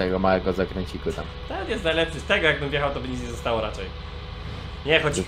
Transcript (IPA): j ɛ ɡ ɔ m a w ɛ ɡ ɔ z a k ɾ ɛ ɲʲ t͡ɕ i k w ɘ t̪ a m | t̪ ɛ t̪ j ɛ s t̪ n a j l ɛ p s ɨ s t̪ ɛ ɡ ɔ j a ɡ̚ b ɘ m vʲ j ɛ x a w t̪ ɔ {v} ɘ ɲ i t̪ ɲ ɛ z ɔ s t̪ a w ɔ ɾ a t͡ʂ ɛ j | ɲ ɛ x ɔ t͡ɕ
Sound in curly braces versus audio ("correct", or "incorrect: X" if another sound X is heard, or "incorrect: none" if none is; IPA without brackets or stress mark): incorrect: b